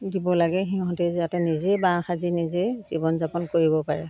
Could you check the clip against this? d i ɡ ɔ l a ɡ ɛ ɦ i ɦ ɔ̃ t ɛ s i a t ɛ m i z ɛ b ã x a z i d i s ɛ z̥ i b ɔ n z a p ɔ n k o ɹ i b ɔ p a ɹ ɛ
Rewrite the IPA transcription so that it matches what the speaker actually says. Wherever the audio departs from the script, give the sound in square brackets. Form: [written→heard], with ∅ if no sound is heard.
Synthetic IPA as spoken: d i [ɡ→b] ɔ l a ɡ ɛ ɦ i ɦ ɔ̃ t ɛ [s→z] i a t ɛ [m→n] i z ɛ b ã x a z i [d→n] i [s→z] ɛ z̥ i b ɔ n z a p ɔ n k o ɹ i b ɔ p a ɹ ɛ